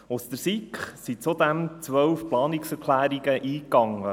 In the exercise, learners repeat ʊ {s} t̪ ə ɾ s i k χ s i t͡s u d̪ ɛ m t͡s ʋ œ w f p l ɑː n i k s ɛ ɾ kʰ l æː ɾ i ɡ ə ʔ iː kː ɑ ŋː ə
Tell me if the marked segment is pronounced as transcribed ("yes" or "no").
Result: yes